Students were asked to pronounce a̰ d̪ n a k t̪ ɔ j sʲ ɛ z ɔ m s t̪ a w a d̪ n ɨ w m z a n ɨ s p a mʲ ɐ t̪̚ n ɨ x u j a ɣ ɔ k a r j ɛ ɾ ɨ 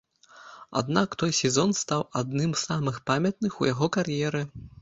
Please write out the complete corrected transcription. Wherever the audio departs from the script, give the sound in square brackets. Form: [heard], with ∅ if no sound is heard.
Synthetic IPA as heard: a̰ d̪ n a k t̪ ɔ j sʲ ɛ z ɔ [n] s t̪ a w a d̪ n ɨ [∅] m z a [m] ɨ [x] p a mʲ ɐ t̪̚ n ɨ x u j a ɣ ɔ k a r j ɛ ɾ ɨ